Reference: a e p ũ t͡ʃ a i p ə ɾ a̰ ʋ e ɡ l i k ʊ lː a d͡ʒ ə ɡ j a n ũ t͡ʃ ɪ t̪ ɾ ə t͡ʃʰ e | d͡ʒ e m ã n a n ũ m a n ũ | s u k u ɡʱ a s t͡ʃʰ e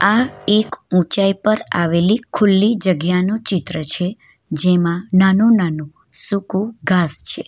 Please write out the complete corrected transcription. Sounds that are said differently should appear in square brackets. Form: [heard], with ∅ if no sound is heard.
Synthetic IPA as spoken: a e [k] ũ t͡ʃ a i p ə ɾ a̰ ʋ e [∅] l i [kʰ] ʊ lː [i] d͡ʒ ə ɡ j a n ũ t͡ʃ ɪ t̪ ɾ ə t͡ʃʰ e | d͡ʒ e m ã n a n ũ [n] a n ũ | s u k u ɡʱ a s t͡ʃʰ e